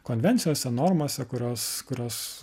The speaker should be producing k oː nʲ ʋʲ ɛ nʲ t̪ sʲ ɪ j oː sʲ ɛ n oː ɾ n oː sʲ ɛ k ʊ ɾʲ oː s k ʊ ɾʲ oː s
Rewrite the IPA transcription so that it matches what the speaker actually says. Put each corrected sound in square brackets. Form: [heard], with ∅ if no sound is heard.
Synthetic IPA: k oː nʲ ʋʲ ɛ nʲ t̪ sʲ ɪ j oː sʲ ɛ n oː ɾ [m] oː sʲ ɛ k ʊ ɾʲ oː s k ʊ ɾʲ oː s